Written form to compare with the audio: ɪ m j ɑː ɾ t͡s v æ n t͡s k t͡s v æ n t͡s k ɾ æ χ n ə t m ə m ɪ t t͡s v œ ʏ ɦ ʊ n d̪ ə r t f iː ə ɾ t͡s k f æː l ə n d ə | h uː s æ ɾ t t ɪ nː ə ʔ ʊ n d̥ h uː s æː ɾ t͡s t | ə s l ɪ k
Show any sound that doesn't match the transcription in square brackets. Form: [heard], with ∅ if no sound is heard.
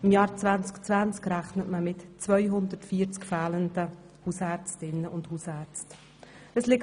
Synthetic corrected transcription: ɪ m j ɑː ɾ t͡s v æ n t͡s k t͡s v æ n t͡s k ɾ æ χ n ə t m ə m ɪ t t͡s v œ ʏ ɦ ʊ n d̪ ə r t f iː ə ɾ t͡s k f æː l ə n d ə | h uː s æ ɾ [t͡s] t ɪ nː ə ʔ ʊ n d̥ h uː s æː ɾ t͡s t | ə s l ɪ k